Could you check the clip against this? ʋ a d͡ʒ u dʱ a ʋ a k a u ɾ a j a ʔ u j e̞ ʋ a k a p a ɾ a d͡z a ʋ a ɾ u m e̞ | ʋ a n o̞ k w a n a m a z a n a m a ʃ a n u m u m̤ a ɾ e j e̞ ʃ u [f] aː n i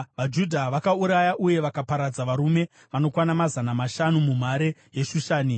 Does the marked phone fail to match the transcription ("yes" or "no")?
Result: yes